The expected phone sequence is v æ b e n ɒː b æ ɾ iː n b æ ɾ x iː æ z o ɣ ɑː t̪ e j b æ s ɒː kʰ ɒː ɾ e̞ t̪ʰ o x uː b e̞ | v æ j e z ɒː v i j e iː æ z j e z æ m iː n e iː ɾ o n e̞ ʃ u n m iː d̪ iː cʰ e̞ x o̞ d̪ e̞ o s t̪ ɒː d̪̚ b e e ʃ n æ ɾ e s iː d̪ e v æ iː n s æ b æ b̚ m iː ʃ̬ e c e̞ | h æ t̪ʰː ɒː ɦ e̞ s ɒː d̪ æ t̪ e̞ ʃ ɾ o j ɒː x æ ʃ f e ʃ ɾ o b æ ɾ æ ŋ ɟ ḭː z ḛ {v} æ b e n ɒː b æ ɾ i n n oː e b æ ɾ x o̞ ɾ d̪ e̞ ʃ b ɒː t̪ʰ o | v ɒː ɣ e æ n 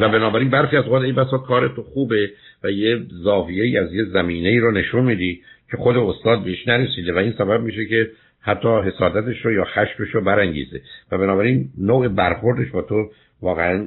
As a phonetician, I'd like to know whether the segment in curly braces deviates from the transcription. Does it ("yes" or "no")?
no